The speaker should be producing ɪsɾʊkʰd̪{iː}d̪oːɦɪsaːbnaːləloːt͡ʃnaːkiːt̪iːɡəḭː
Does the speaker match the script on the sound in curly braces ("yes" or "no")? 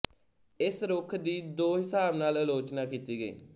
yes